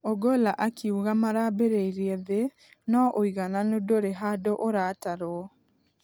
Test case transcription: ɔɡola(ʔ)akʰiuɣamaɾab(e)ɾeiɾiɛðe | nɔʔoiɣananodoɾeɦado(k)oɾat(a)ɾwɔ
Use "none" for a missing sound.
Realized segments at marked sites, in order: ʔ, e, ʔ, a

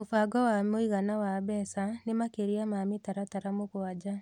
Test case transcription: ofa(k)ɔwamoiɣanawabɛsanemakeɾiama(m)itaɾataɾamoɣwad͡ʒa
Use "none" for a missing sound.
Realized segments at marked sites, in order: ɡ, m

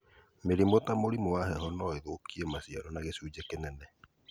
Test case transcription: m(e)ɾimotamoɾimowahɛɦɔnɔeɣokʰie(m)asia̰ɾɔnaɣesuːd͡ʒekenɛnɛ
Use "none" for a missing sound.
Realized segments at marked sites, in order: e, m

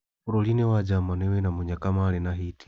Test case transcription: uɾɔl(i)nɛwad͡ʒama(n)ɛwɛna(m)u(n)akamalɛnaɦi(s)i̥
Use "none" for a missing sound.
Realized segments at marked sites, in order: i, n, m, ɲ, t

